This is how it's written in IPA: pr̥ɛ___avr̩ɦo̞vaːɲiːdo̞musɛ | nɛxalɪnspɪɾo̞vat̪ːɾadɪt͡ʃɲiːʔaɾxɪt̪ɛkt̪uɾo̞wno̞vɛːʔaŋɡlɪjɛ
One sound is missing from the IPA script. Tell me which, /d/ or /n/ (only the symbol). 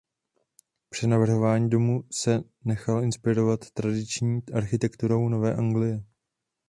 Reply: n